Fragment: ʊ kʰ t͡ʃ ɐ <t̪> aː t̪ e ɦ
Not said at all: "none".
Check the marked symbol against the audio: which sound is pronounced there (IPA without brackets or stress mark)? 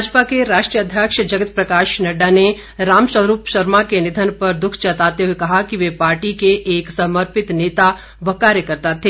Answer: t̪